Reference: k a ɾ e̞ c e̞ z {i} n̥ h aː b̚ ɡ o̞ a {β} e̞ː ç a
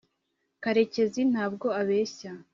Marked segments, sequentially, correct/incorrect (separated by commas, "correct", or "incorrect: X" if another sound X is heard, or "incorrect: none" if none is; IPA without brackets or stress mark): correct, correct